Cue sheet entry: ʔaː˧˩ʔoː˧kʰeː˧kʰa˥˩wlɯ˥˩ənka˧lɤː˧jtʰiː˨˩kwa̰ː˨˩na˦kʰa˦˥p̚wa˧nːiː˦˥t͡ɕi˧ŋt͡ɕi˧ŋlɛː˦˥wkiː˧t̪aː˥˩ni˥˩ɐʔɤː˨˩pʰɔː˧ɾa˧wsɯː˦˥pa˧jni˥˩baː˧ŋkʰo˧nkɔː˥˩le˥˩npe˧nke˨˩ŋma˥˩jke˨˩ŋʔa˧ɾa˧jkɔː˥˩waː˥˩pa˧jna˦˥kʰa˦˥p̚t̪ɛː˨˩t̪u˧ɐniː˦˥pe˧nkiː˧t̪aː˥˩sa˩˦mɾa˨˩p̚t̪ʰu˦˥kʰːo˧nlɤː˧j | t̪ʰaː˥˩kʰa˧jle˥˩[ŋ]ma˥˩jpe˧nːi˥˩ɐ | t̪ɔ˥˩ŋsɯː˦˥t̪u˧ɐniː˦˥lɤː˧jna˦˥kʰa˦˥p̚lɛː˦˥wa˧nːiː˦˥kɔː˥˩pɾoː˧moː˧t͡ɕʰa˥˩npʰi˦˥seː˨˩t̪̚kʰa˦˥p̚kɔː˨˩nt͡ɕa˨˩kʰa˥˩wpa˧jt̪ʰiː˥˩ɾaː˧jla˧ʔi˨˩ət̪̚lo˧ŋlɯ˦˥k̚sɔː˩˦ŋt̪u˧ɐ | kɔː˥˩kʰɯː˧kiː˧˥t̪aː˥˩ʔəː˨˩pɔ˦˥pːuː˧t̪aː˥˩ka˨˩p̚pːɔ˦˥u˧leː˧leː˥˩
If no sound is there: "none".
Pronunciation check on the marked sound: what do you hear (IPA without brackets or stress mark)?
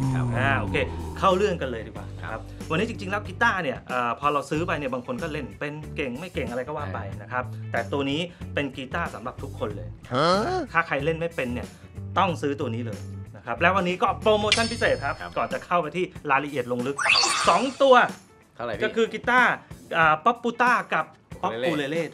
n